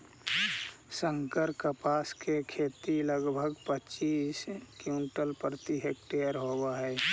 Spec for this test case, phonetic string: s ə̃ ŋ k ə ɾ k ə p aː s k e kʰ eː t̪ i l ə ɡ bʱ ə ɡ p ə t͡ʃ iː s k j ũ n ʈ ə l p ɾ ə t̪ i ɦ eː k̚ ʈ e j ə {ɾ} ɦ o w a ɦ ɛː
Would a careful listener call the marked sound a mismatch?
no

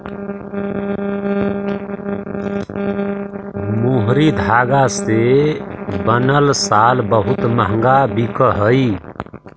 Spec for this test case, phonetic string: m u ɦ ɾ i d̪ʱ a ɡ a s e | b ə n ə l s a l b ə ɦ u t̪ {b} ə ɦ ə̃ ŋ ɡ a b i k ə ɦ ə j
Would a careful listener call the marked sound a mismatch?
yes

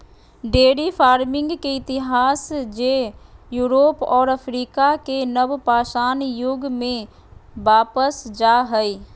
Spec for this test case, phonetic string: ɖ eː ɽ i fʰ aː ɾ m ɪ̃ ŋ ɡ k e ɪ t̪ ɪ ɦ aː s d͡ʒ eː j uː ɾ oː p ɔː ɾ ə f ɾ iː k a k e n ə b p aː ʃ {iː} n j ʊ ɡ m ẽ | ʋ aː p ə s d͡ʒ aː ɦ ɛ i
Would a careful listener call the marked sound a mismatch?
yes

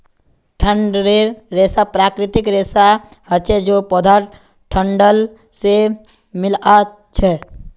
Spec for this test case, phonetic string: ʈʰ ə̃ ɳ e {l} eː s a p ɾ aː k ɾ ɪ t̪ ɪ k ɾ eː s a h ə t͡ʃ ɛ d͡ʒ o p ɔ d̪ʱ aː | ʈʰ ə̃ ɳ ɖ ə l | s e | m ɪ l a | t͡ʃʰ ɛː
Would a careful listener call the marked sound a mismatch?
yes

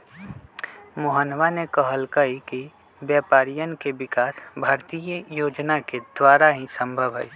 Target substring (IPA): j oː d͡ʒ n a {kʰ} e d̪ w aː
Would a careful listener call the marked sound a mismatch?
yes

